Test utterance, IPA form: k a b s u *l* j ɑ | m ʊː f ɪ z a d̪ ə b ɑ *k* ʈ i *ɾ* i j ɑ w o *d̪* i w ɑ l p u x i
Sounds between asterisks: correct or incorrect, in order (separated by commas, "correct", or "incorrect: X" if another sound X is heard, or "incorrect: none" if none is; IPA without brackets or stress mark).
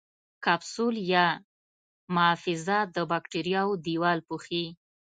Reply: correct, correct, correct, correct